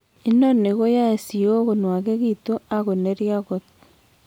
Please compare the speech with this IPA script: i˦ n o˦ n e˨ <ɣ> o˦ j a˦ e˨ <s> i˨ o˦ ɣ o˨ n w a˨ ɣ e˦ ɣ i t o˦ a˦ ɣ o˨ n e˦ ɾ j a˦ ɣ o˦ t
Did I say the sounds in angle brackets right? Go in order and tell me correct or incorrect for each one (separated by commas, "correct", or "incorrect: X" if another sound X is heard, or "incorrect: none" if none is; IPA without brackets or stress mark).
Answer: correct, correct